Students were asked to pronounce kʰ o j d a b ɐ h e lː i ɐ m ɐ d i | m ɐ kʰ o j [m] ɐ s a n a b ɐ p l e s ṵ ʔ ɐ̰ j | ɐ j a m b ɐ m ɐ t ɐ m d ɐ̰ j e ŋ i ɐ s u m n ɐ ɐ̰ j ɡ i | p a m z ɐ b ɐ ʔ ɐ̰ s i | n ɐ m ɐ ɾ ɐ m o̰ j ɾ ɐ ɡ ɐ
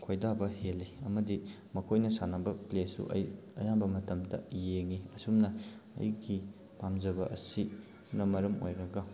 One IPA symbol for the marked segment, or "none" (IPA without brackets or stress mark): n